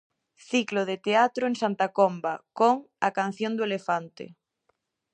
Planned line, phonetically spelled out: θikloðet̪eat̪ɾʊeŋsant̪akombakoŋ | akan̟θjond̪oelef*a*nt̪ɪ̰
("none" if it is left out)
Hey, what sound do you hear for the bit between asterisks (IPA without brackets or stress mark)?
a